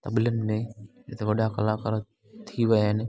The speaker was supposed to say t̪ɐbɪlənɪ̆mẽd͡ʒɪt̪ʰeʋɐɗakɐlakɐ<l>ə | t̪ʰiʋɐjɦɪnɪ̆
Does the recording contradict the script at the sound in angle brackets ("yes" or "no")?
yes